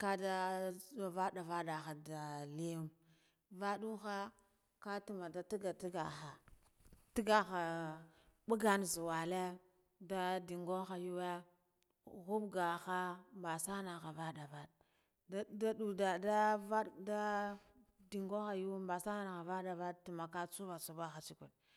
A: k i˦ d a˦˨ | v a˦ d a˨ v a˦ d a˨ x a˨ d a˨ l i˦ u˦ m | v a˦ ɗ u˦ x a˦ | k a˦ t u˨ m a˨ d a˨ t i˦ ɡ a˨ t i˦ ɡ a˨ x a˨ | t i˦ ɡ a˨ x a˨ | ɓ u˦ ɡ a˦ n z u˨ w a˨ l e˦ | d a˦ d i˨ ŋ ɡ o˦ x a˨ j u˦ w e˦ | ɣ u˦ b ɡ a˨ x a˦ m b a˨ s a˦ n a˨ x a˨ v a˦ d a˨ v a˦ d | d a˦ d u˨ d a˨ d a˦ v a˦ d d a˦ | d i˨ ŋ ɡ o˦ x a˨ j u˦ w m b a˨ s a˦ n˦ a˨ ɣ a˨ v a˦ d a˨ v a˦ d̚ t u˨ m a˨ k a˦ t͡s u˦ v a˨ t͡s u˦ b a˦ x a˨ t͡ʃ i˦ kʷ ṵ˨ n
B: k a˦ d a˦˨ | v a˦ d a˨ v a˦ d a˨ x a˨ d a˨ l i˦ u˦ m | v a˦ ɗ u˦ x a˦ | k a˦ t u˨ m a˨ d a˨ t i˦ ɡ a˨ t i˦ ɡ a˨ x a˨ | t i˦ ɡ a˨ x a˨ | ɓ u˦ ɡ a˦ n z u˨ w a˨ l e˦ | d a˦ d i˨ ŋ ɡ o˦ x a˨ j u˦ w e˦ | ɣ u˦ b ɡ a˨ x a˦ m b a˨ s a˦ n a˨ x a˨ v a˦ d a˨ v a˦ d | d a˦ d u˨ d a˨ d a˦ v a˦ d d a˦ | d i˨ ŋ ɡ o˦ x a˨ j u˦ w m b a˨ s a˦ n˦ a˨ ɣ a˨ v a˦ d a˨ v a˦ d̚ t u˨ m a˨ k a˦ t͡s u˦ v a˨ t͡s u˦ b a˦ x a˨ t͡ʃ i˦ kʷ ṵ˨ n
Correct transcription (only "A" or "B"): B